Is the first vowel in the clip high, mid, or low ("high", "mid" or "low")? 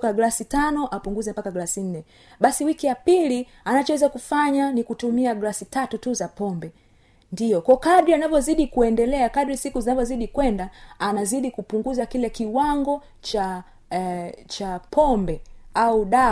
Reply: low